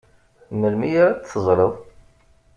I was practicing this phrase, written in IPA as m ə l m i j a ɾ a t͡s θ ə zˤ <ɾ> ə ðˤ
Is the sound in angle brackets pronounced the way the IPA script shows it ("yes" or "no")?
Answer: yes